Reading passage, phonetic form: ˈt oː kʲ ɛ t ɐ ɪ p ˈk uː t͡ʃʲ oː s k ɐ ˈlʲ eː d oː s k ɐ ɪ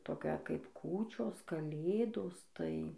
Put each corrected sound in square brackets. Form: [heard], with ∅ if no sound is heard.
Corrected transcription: ˈt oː kʲ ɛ [k] ɐ ɪ p ˈk uː t͡ʃʲ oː s k ɐ ˈlʲ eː d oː s [t] ɐ ɪ